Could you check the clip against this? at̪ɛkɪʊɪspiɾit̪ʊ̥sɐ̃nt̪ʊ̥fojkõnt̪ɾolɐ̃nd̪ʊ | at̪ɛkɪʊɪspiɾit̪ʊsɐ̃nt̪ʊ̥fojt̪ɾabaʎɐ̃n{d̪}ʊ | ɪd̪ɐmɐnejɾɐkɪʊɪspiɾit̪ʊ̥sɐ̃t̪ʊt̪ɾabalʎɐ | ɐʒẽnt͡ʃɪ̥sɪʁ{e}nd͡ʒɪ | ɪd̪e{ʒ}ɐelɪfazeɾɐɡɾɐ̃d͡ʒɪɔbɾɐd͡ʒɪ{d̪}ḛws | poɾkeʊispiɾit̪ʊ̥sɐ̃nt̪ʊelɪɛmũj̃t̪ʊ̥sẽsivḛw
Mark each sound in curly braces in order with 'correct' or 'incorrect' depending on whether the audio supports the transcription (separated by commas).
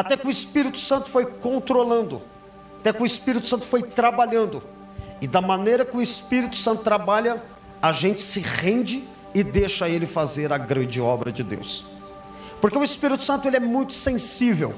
correct, incorrect, incorrect, correct